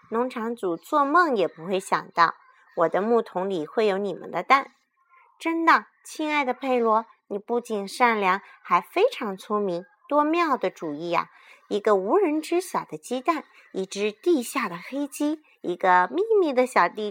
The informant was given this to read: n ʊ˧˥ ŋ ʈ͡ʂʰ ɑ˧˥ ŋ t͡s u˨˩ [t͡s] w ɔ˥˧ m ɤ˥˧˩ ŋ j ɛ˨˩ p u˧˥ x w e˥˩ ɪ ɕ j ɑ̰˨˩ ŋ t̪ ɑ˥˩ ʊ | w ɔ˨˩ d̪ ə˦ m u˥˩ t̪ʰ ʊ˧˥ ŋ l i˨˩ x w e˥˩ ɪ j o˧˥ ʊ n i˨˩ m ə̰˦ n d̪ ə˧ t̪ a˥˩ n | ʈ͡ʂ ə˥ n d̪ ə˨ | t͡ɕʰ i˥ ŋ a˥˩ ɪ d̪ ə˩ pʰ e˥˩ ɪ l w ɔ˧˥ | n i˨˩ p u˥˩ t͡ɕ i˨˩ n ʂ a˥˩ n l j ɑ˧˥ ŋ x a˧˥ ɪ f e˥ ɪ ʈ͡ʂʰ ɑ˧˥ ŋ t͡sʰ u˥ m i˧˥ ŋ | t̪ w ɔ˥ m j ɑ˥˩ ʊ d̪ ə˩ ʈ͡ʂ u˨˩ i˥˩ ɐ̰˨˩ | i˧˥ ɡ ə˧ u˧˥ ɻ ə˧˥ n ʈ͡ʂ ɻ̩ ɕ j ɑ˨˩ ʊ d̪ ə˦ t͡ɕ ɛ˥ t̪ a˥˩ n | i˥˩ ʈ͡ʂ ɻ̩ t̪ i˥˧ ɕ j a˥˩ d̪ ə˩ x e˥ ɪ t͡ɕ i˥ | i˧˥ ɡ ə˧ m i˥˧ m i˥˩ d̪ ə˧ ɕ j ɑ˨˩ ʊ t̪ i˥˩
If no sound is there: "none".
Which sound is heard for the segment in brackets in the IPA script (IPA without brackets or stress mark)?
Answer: t͡s